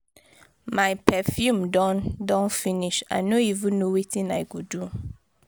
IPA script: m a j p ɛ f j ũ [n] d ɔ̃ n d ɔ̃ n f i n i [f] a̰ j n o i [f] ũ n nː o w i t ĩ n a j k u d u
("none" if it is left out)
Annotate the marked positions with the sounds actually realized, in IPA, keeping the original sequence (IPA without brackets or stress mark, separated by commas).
m, ʃ, v